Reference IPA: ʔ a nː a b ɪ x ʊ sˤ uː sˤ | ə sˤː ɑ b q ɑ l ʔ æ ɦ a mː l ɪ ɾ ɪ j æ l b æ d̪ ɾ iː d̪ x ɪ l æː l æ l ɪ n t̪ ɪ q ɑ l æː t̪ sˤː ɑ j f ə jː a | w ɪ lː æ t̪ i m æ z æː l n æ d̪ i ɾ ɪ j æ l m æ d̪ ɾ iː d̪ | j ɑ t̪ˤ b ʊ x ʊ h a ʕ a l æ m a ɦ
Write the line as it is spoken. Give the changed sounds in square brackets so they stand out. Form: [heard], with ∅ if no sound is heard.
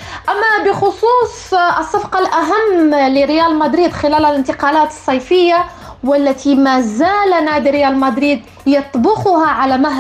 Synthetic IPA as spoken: ʔ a [mː] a b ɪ x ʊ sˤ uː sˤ | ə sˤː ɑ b q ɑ l ʔ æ ɦ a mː l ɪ ɾ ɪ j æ l [m] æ d̪ ɾ iː d̪ x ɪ l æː l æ l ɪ n t̪ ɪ q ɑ l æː t̪ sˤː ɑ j f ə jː a | w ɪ lː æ t̪ i m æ z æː l n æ d̪ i ɾ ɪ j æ l m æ d̪ ɾ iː d̪ | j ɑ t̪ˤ b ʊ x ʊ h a ʕ a l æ m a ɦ